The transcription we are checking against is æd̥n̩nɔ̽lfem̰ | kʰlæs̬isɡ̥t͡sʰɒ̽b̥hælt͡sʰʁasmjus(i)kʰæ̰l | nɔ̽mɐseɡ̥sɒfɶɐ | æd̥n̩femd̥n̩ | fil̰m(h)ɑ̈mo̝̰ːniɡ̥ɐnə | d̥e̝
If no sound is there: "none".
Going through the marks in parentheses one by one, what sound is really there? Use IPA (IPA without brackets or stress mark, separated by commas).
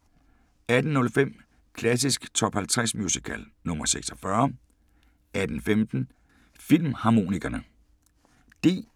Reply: i, h